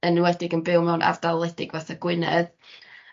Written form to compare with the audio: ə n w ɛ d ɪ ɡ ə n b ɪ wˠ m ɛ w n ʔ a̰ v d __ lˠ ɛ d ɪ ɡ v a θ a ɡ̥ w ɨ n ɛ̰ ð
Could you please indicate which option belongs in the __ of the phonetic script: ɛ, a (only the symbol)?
a